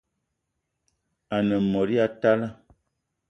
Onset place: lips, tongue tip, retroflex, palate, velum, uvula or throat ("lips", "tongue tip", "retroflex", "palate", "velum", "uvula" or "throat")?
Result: tongue tip